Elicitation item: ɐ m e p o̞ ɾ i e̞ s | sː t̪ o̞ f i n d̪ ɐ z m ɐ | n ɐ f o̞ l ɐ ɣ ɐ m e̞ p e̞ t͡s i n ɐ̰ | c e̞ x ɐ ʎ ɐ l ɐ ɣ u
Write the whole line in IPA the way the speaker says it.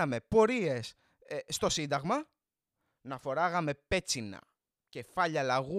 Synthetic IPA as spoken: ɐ m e p o̞ ɾ i e̞ s | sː t̪ o̞ s i n d̪ ɐ ɣ m ɐ | n ɐ f o̞ ɾ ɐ ɣ ɐ m e̞ p e̞ t͡s i n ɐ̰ | c e̞ f ɐ ʎ ɐ l ɐ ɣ u